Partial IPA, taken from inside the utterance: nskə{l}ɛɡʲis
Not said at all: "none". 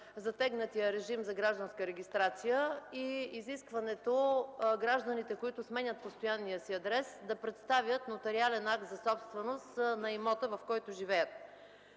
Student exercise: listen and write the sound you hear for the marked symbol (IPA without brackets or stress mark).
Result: ɾ